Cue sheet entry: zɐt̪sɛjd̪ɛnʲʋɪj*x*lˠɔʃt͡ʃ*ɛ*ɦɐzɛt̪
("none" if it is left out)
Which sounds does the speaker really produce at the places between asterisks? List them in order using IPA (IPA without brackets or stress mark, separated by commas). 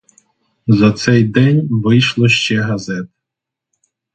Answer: ʃ, ɛ